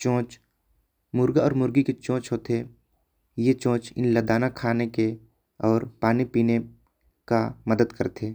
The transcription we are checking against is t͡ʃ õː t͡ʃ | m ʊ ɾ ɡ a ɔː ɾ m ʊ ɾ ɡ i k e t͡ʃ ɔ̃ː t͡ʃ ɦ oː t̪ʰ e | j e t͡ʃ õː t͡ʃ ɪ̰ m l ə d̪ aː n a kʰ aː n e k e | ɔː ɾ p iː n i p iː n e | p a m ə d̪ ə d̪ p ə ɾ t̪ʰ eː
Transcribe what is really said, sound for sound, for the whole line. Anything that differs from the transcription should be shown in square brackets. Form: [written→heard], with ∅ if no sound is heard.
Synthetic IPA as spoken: t͡ʃ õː t͡ʃ | m ʊ ɾ ɡ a ɔː ɾ m ʊ ɾ ɡ i k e t͡ʃ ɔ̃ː t͡ʃ ɦ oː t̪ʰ e | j e t͡ʃ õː t͡ʃ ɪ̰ [m→n] l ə d̪ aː n a kʰ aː n e k e | ɔː ɾ p [iː→aː] n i p iː n e | [p→k] a m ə d̪ ə d̪ [p→k] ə ɾ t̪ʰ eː